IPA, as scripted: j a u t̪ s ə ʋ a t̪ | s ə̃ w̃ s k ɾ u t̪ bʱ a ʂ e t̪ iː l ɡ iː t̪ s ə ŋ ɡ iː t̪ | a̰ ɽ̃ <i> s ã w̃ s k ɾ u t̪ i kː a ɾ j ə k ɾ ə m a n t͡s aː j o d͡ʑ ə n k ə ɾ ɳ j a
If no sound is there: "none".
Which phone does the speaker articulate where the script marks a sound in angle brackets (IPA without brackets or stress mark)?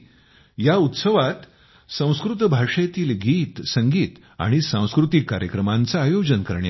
i